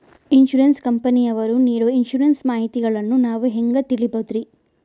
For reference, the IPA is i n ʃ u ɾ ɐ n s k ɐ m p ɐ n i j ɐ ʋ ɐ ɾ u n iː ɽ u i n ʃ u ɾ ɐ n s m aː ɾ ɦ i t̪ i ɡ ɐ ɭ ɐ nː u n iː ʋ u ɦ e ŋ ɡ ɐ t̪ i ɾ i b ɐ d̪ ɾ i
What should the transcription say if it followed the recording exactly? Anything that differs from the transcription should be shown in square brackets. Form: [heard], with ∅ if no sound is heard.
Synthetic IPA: i n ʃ u ɾ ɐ n s k ɐ m p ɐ n i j ɐ ʋ ɐ ɾ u n iː ɽ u i n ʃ u ɾ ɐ n s m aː [∅] ɦ i t̪ i ɡ ɐ ɭ ɐ nː u n [aː] ʋ u ɦ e ŋ ɡ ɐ t̪ i [ɭ] i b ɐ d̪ ɾ i